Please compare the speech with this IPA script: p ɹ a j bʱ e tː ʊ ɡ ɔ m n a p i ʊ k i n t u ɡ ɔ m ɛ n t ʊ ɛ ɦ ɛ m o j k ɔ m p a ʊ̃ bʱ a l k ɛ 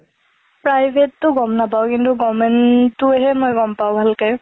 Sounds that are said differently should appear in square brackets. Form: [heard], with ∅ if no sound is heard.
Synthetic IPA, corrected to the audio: p ɹ a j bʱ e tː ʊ ɡ ɔ m n a p [a] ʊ k i n t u ɡ ɔ m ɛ n t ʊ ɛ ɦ ɛ m o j [ɡ] ɔ m p a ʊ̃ bʱ a l k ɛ

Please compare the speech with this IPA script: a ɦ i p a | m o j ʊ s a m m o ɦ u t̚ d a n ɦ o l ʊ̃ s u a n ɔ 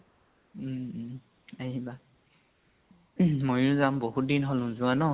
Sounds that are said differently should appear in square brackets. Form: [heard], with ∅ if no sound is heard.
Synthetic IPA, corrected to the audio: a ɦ i [b] a | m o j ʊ [z] a m [b] o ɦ u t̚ d [i] n ɦ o l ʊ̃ [z] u a n ɔ

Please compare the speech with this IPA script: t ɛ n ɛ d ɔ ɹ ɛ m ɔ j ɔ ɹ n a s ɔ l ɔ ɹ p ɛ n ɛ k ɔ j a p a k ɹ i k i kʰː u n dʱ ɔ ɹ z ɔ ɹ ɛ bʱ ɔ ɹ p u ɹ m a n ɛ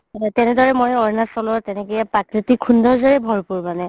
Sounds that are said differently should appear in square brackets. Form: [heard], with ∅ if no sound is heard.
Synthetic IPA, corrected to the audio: t ɛ n ɛ d ɔ ɹ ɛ m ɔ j ɔ ɹ n a s ɔ l ɔ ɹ [t] ɛ n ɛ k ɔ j a p a k ɹ i [t] i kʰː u n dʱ ɔ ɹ z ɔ ɹ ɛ bʱ ɔ ɹ p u ɹ m a n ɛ

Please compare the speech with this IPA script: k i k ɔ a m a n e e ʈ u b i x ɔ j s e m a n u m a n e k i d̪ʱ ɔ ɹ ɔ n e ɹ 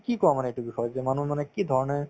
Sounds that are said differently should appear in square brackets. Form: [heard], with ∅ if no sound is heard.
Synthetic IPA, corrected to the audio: k i k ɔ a m a n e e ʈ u b i x ɔ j [z] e m a n u m a n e k i d̪ʱ ɔ ɹ ɔ n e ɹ

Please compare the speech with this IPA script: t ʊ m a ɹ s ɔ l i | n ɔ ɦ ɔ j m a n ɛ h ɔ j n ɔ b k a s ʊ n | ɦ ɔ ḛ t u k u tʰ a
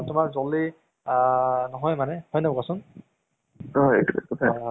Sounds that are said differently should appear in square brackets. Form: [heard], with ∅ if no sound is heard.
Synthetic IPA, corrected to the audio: t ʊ m a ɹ [z] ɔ l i | n ɔ ɦ ɔ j m a n ɛ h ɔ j n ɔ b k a s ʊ n | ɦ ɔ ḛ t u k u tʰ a

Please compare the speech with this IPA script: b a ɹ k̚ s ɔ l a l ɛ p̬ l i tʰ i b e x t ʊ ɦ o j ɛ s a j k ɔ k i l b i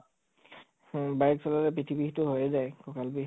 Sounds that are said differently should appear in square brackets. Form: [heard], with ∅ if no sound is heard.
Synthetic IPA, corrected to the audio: b a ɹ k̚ s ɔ l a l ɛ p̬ [ɹ] i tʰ i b [i] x t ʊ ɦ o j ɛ [z] a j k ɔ k [a] l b i

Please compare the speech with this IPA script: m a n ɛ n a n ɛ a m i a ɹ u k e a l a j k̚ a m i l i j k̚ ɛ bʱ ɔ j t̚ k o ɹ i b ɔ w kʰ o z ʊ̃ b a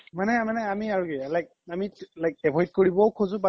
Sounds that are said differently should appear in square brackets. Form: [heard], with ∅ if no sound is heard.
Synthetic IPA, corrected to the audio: m a n ɛ [m] a n ɛ a m i a ɹ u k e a l a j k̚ a m i l [a] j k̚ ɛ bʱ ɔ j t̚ k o ɹ i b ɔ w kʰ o z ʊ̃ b a

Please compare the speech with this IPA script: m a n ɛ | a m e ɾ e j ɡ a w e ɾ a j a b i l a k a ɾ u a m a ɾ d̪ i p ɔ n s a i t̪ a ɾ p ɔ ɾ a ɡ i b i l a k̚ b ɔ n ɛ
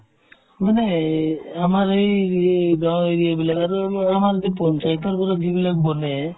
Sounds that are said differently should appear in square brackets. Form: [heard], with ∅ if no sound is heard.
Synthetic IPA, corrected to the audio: m a n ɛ | a m [a] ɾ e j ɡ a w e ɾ [i] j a b i l a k a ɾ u a m a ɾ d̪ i p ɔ n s a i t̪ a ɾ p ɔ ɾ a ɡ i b i l a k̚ b ɔ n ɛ

